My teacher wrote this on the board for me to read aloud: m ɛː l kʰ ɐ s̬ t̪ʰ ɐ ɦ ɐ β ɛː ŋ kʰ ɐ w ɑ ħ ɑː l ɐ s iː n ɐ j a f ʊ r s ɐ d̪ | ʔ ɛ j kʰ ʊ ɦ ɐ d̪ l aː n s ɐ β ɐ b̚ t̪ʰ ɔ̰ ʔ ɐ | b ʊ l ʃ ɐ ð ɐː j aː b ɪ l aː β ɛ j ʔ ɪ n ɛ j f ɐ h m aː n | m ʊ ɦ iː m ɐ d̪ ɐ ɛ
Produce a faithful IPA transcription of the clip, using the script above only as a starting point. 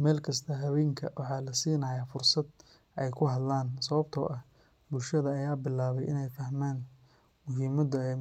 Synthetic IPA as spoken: m ɛː l kʰ ɐ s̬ t̪ʰ ɐ ɦ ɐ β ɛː ŋ kʰ ɐ w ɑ ħ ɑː l ɐ s iː n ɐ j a f ʊ r s ɐ d̪ | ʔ ɛ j kʰ ʊ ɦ ɐ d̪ l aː n s ɐ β ɐ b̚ t̪ʰ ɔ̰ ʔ ɐ | b ʊ l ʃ ɐ ð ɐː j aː b ɪ l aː β ɛ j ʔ ɪ n ɛ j f ɐ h m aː n | m ʊ ɦ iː m ɐ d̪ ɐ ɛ